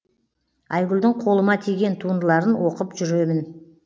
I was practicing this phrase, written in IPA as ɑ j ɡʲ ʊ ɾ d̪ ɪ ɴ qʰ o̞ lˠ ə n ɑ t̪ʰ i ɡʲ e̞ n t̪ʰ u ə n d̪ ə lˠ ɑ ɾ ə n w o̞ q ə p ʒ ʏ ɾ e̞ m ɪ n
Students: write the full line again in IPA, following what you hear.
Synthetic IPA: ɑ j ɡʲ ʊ l d̪ ɪ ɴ qʰ o̞ lˠ ə m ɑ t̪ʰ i ɡʲ e̞ n t̪ʰ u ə n d̪ ə lˠ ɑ ɾ ə n w o̞ q ə p ʒ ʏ ɾ e̞ m ɪ n